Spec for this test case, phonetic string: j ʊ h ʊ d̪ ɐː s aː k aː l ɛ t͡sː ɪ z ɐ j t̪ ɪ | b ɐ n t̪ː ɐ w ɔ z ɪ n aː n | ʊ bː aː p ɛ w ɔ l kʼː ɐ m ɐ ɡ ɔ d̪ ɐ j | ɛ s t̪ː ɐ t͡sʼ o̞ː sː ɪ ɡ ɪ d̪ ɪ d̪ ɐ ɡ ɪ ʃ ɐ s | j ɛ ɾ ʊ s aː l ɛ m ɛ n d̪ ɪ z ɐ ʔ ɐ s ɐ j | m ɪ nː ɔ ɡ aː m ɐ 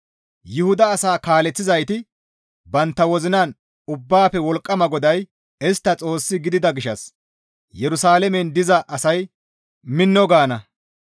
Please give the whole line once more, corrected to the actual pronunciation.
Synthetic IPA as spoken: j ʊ h ʊ d̪ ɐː s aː k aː l ɛ t͡sː ɪ z ɐ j t̪ ɪ | b ɐ n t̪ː ɐ w ɔ z ɪ n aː n | ʊ bː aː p ɛ w ɔ l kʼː ɐ m ɐ ɡ ɔ d̪ ɐ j | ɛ s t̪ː ɐ t͡sʼ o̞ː sː ɪ ɡ ɪ d̪ ɪ d̪ ɐ ɡ ɪ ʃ ɐ s | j ɛ ɾ ʊ s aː l ɛ m ɛ n d̪ ɪ z ɐ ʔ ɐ s ɐ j | m ɪ nː ɔ ɡ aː n ɐ